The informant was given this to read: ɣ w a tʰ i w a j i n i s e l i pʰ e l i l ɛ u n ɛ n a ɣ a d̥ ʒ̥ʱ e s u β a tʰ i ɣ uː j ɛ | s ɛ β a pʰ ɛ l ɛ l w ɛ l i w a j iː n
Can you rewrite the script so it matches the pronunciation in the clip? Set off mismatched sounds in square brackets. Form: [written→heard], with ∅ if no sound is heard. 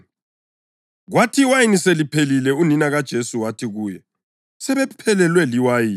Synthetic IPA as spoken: ɣ w a tʰ i w a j i n i s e l i pʰ e l i l ɛ u n [ɛ→i] n a ɣ a d̥ ʒ̥ʱ e s u [β→w] a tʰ i ɣ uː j ɛ | s ɛ β [a→ɛ] pʰ ɛ l ɛ l w ɛ l i w a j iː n